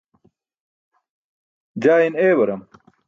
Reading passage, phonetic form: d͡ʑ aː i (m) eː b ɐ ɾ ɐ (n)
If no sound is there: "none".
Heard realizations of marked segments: n, m

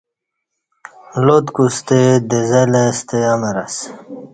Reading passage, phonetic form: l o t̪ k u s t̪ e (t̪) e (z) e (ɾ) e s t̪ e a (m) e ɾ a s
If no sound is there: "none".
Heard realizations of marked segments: d̪, z, l, m

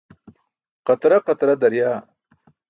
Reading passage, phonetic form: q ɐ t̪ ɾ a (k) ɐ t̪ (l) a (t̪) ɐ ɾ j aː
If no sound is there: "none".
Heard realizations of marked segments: q, ɾ, d̪

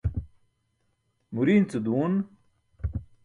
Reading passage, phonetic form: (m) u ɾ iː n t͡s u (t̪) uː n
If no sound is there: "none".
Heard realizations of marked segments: m, d̪

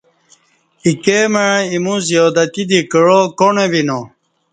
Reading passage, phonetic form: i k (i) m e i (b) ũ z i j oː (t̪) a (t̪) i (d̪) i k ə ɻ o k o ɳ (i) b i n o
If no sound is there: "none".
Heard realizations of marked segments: e, m, d̪, t̪, d̪, e

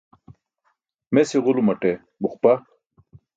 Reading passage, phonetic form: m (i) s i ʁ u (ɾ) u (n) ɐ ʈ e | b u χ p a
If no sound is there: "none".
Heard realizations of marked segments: e, l, m

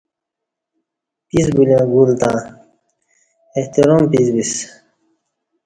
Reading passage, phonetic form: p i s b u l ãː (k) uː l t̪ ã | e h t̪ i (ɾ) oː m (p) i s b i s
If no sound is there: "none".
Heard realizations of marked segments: ɡ, ɾ, p

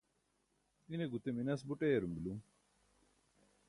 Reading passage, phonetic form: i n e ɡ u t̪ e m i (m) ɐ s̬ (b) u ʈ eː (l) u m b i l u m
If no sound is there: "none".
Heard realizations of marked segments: n, b, ɾ

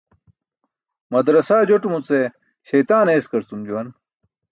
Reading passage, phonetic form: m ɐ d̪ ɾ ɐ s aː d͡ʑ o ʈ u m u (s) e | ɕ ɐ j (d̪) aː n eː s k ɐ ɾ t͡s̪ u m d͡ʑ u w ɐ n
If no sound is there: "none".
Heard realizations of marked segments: t͡s, t̪

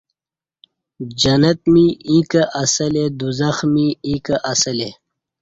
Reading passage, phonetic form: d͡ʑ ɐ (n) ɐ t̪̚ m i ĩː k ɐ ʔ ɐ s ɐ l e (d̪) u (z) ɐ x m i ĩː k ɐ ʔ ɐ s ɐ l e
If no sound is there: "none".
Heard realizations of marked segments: n, d̪, z

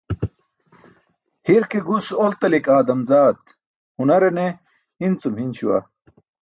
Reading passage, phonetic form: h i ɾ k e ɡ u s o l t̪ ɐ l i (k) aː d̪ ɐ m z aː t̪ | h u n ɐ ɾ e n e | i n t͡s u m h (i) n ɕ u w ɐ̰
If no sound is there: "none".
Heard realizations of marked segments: k, i

